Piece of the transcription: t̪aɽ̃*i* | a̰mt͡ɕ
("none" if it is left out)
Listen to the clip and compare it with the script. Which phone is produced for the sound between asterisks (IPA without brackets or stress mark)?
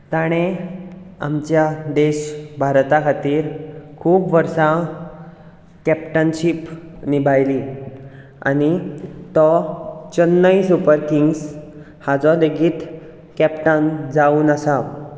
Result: e